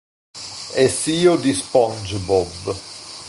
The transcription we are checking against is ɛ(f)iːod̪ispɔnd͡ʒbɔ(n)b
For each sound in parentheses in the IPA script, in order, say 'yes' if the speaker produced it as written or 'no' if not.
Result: no, no

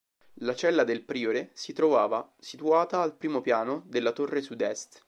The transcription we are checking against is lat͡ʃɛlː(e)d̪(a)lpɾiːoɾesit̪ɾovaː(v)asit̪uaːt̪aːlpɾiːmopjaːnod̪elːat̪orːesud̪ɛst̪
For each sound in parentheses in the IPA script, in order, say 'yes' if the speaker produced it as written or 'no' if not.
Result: no, no, yes

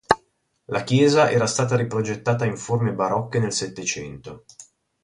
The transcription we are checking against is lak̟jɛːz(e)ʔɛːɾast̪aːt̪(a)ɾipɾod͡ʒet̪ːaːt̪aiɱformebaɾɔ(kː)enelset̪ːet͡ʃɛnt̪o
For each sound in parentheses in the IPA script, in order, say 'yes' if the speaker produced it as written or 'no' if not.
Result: no, yes, yes

